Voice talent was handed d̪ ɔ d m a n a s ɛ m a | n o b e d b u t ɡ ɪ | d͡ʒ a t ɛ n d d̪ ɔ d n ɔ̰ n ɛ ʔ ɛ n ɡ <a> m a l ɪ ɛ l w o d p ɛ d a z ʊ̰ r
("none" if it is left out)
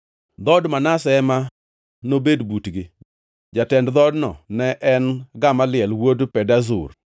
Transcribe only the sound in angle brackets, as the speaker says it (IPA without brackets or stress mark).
a